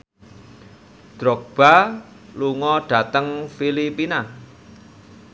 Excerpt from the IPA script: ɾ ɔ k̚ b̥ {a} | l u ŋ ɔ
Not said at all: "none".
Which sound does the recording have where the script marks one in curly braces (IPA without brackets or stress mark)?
a